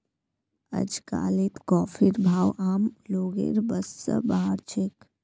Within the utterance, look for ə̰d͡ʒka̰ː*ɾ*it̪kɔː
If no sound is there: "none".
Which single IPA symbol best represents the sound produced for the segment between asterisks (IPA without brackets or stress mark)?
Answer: l